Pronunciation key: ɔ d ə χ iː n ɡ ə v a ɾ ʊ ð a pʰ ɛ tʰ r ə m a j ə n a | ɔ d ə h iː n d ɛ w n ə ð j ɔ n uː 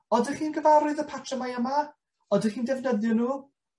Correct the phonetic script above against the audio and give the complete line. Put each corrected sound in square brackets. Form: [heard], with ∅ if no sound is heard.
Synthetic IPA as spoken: ɔ d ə χ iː n ɡ ə v a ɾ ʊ ð [ə] pʰ [a] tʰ r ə m a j ə [m] a | ɔ d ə [χ] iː n d ɛ [v] n ə ð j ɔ n uː